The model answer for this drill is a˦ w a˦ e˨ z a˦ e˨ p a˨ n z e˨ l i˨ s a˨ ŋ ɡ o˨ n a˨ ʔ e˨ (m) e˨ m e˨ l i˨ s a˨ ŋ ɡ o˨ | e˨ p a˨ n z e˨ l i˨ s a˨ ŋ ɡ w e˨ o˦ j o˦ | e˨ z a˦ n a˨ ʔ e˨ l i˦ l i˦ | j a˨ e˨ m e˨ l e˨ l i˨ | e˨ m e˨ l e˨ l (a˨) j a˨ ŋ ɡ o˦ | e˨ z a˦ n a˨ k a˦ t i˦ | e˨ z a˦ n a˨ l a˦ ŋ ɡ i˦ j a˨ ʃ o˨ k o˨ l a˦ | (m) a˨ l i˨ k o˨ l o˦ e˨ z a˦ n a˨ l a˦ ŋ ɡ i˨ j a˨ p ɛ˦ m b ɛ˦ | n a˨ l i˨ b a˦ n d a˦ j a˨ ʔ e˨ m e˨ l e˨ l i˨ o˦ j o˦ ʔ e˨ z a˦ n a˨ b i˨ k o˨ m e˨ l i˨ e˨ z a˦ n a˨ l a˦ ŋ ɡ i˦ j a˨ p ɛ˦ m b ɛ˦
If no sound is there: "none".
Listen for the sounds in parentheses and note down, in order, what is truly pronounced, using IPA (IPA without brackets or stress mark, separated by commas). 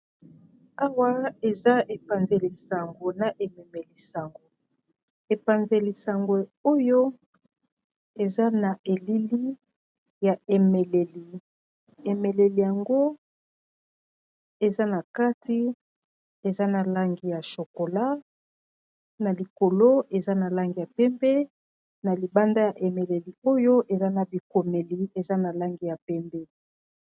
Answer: m, i˨, n